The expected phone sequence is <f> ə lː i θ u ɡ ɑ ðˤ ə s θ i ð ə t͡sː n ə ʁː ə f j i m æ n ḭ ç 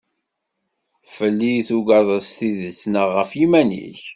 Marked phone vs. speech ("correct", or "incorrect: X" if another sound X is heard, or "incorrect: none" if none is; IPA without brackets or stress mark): correct